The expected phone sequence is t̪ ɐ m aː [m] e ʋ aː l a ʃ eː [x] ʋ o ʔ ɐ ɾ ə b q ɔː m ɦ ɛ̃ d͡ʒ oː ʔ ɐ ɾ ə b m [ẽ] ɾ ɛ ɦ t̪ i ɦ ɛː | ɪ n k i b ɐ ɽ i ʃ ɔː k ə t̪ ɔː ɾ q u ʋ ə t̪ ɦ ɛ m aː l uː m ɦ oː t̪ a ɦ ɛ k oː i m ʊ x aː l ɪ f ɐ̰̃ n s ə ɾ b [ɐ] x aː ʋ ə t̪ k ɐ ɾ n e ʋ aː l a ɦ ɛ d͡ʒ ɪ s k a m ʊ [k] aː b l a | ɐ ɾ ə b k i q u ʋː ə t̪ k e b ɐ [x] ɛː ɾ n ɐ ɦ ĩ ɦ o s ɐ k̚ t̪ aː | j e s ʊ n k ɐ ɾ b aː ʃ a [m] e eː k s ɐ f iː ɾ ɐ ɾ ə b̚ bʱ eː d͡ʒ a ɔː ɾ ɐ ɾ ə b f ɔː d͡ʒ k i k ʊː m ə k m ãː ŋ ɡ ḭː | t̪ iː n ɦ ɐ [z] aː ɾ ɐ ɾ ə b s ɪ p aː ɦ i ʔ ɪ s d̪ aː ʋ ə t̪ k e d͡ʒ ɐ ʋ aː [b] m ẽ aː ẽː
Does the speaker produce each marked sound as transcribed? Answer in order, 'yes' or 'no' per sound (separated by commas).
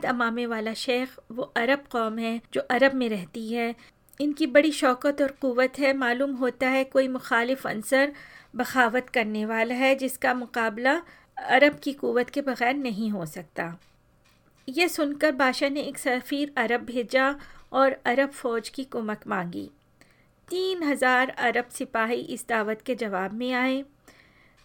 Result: yes, yes, yes, yes, no, no, no, yes, yes